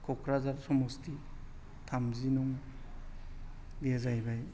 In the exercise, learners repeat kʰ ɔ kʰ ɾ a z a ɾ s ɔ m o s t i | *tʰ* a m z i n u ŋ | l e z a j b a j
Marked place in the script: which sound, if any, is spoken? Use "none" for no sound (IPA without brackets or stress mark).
tʰ